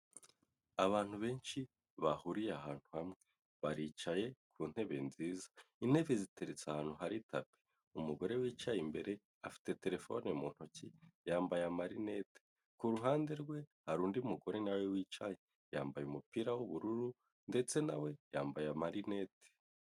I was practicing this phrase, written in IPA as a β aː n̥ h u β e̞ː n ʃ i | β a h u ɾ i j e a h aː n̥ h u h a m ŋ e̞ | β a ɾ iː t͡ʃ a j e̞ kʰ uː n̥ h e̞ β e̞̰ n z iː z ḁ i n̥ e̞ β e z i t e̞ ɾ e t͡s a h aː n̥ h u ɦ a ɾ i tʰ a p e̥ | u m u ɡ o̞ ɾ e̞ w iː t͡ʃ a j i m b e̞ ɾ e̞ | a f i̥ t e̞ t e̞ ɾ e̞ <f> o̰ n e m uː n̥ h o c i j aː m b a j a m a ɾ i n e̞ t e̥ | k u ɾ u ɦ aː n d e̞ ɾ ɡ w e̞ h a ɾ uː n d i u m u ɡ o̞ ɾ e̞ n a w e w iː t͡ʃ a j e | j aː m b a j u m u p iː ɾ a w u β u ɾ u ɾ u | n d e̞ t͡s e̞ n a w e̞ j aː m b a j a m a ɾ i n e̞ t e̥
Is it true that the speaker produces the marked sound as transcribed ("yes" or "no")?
yes